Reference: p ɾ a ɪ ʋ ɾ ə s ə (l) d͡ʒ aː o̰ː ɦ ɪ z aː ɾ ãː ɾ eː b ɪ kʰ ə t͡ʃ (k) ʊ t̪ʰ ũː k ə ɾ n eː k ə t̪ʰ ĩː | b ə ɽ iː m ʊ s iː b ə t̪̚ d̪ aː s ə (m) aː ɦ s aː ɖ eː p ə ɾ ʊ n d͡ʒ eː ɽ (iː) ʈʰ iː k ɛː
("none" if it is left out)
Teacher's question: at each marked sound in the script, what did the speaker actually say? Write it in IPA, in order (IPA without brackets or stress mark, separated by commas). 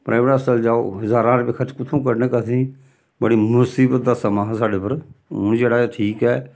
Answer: l, k, m, aː